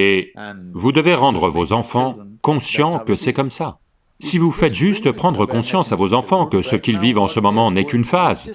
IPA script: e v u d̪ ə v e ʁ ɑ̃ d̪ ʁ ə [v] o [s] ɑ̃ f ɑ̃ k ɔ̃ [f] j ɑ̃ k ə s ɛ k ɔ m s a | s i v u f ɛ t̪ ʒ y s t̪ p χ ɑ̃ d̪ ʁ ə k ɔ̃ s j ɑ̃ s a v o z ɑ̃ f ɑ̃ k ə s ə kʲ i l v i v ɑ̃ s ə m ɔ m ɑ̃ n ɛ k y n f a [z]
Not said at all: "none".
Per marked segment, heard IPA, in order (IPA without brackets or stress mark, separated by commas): v, z, s, z